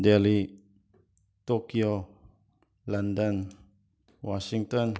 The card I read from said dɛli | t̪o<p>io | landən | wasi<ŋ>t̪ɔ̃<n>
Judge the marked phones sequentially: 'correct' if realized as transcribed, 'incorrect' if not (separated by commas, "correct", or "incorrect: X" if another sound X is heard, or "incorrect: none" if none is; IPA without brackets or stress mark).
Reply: incorrect: k, correct, correct